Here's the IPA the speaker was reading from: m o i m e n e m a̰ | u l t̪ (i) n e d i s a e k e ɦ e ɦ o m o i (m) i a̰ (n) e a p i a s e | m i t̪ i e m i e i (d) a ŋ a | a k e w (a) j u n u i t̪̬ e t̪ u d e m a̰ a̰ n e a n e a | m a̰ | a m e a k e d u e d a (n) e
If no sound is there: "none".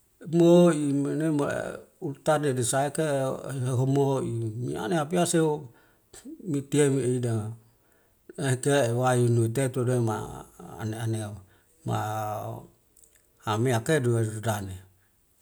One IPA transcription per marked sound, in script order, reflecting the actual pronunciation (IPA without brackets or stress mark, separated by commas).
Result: a, m, n, d, a, n